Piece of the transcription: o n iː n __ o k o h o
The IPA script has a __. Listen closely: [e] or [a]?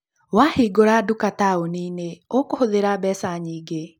e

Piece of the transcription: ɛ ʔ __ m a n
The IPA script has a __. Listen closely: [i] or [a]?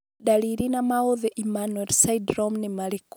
i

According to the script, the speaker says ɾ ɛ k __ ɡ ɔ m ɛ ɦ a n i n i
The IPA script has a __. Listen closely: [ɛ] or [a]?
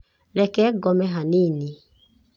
ɛ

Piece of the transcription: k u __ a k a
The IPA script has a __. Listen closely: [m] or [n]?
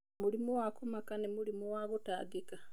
m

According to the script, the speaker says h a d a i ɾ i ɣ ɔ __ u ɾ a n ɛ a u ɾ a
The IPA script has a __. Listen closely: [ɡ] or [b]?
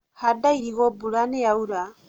b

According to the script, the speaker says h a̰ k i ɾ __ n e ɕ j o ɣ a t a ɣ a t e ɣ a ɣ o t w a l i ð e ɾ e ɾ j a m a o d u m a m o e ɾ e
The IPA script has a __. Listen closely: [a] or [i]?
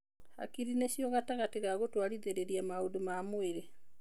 i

